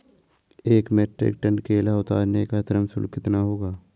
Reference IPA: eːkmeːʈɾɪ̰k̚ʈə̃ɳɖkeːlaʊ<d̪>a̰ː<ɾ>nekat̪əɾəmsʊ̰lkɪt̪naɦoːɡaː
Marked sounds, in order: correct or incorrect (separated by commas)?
incorrect, correct